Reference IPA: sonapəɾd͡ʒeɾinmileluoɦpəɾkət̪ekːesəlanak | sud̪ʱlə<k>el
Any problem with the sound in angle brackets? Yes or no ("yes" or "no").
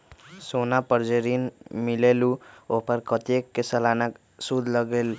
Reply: yes